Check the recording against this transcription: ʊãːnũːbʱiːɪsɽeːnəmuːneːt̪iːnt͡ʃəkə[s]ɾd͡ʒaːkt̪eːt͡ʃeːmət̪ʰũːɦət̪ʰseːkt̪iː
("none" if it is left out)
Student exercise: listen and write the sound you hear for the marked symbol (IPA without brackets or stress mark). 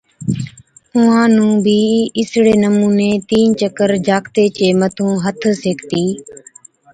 none